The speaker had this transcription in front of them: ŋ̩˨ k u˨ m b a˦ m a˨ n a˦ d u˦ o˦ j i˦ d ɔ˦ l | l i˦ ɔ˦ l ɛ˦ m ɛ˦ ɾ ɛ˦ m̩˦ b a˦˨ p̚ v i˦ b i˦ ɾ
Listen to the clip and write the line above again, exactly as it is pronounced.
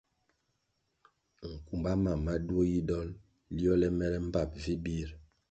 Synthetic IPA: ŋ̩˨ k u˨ m b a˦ m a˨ m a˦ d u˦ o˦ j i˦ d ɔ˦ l | l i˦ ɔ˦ l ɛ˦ m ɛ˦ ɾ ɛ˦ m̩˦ b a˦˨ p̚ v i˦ b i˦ ɾ